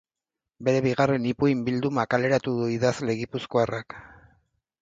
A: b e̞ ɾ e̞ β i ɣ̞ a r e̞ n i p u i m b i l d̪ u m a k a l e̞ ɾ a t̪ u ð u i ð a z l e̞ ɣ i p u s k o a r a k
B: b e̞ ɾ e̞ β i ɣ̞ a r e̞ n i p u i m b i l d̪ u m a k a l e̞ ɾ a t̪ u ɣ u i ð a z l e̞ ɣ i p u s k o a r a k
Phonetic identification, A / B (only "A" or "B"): A